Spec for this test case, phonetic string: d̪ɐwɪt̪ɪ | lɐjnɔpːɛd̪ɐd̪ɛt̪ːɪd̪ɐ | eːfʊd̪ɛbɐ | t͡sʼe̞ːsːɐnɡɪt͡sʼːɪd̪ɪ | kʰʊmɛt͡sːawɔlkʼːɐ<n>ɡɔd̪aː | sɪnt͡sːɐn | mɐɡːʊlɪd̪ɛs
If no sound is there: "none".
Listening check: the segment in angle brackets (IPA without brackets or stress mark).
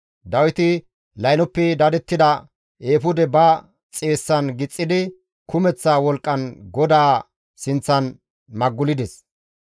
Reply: n